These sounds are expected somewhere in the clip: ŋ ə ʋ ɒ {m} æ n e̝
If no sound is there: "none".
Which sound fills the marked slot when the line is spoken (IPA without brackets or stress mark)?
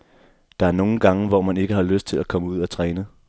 m